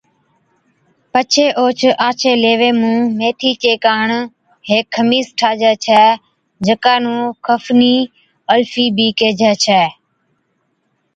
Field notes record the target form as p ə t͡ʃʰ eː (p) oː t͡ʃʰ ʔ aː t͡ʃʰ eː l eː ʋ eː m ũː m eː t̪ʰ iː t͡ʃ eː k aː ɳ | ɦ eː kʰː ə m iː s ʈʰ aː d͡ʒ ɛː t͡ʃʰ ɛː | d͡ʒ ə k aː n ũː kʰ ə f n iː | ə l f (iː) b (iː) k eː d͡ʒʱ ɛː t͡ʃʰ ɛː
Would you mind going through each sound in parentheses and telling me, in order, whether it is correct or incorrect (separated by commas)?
incorrect, correct, correct